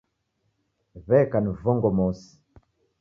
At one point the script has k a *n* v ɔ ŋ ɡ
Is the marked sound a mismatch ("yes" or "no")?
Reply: no